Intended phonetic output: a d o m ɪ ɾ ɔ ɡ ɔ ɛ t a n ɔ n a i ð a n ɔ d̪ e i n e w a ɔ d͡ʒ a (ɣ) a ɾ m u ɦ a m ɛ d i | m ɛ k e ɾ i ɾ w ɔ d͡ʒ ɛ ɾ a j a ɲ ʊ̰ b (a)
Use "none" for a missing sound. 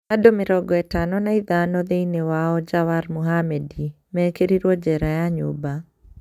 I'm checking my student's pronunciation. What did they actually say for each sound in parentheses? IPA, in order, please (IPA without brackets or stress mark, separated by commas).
w, a